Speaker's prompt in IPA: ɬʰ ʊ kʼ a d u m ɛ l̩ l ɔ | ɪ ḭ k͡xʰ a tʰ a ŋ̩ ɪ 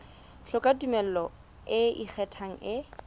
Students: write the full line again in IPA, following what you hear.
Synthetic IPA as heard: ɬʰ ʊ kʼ a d u m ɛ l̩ l ɔ | ɪ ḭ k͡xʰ ɛ tʰ a ŋ̩ ɪ